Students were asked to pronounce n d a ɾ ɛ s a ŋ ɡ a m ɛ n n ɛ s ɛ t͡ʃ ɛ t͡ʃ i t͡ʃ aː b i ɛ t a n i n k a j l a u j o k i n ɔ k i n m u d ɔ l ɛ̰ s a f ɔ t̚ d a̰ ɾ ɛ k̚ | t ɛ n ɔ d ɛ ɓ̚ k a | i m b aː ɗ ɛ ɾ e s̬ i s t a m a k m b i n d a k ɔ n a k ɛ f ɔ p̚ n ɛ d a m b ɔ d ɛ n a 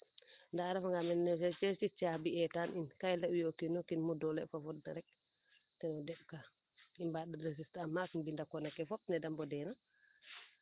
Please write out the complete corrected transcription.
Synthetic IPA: n d a ɾ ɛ f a ŋ ɡ a m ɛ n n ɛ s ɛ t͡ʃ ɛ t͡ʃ i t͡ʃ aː b i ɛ t a n i n k a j l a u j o k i n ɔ k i n m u d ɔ l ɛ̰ f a f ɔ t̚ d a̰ ɾ ɛ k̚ | t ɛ n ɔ d ɛ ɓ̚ k a | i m b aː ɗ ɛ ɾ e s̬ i s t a m a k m b i n d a k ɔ n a k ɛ f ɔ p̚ n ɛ d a m b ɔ d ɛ n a